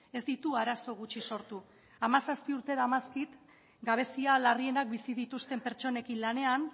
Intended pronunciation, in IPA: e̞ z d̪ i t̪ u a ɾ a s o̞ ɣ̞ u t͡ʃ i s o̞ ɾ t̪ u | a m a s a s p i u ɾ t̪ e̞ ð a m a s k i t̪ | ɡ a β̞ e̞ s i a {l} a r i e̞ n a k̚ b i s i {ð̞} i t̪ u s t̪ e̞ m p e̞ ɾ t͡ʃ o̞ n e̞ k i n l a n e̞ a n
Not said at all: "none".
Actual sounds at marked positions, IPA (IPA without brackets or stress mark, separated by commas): l, ð̞